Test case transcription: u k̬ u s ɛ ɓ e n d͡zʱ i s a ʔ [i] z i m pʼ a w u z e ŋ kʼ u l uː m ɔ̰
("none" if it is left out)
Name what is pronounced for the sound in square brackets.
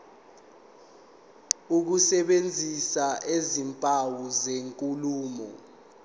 e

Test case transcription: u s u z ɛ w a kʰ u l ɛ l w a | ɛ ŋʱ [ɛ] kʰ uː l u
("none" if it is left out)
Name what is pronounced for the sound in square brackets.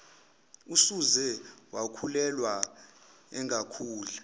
a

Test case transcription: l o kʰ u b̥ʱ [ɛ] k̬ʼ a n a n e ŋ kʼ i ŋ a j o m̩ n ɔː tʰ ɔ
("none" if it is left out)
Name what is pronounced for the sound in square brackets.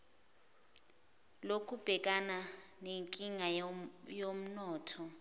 ɛ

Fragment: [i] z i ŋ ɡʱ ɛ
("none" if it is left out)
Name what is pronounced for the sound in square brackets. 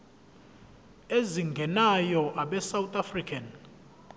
e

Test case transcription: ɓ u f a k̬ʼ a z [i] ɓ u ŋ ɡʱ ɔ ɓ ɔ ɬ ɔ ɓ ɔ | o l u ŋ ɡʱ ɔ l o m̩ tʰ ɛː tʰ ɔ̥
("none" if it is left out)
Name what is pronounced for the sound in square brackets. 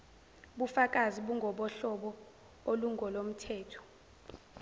i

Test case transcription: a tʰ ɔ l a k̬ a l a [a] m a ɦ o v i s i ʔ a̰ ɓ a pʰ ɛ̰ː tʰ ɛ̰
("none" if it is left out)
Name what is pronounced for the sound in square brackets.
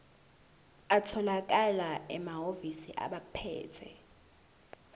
ɛ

